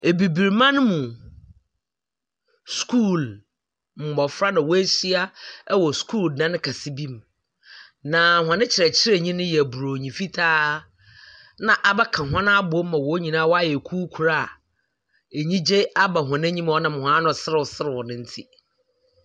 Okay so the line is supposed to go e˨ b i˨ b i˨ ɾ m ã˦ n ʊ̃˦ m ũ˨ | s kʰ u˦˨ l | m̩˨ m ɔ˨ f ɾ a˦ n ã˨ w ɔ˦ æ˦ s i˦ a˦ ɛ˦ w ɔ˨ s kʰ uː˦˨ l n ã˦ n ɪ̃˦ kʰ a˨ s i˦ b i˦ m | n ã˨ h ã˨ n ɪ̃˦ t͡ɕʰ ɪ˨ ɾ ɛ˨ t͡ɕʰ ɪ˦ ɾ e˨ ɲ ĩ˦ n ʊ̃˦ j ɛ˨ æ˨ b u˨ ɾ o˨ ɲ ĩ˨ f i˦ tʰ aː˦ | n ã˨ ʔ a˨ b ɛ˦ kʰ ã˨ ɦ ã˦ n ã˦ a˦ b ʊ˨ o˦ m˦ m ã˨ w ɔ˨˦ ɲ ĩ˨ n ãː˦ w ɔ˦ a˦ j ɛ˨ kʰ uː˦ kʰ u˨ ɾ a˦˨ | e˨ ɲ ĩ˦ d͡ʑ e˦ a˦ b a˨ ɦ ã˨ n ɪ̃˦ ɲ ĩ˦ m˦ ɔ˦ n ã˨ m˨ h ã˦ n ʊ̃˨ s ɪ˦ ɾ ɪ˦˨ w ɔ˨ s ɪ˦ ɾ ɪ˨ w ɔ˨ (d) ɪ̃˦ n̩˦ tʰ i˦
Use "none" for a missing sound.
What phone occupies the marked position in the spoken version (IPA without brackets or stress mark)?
n